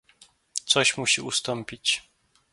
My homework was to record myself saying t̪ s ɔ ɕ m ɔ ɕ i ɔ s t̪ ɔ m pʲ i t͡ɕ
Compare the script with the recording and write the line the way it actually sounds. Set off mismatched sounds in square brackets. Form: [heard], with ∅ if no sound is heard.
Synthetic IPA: t̪ s ɔ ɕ m [u] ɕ i [u] s t̪ ɔ m pʲ i t͡ɕ